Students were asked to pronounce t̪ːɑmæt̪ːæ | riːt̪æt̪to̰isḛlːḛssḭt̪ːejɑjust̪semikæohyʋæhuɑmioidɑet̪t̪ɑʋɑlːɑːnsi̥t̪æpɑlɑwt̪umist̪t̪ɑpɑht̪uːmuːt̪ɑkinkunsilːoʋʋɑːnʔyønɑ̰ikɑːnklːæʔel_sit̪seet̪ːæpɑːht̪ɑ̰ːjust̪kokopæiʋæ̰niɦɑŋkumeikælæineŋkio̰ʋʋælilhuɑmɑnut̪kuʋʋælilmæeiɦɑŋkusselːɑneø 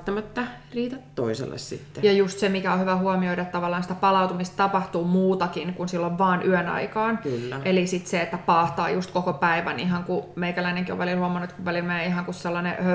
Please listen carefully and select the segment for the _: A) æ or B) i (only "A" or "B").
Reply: B